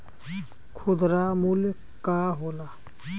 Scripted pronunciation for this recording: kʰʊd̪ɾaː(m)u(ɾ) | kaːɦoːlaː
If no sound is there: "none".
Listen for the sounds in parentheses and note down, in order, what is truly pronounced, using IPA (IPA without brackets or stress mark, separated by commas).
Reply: m, l